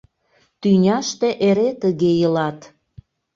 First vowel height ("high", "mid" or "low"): high